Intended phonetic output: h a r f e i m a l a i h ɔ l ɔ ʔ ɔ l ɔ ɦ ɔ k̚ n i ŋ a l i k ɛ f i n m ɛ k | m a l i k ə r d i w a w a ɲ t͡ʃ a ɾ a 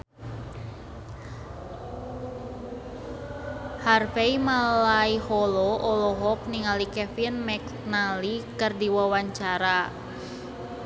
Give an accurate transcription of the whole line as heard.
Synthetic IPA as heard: h a r f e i m a l a i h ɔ l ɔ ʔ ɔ l ɔ ɦ ɔ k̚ n i ŋ a l i k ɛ f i n m ɛ k | n a l i k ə r d i w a w a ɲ t͡ʃ a ɾ a